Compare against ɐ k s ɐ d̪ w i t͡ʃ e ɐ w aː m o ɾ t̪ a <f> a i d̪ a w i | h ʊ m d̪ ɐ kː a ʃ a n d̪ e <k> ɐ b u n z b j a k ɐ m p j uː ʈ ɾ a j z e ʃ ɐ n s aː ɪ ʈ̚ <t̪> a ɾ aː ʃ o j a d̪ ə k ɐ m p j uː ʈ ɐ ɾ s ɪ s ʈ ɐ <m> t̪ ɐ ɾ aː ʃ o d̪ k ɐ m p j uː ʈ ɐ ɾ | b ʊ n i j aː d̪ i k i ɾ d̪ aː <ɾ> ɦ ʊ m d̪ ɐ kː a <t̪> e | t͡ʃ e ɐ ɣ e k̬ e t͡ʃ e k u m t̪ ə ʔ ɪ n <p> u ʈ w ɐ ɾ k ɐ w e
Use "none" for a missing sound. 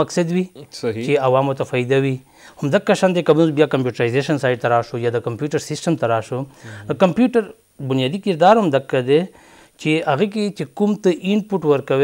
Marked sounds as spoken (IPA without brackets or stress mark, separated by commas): f, k, t̪, m, ɾ, d̪, p